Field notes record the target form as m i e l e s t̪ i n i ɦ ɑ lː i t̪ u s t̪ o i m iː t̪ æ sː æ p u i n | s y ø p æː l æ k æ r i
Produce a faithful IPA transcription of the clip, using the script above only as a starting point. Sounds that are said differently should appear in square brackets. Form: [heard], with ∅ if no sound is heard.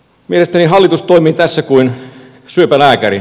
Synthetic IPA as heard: m i e l e s t̪ [æ] n i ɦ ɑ lː i t̪ u s t̪ o i m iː t̪ æ sː æ [k] u i n | s y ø p [æ] l [æː] k æ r i